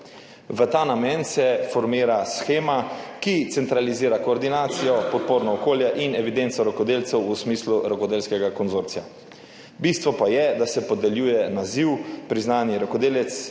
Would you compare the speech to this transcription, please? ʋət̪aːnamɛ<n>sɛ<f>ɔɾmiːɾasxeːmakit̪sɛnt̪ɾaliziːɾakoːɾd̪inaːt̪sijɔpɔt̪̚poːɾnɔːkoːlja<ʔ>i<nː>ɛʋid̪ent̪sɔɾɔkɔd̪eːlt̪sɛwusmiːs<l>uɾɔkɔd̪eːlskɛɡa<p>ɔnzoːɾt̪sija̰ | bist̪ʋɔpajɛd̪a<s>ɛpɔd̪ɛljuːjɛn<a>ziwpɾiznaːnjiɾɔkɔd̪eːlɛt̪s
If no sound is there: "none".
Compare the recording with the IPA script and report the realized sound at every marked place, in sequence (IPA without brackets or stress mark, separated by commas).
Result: n, f, ʔ, n, l, k, s, a